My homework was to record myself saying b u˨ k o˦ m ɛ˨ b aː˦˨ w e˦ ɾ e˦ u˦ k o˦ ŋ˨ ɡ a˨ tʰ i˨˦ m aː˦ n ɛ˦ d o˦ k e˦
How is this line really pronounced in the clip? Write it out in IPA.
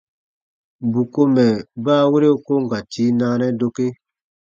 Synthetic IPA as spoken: b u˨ k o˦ m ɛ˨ b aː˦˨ w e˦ ɾ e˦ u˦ k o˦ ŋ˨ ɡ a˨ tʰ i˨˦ n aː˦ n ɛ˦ d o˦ k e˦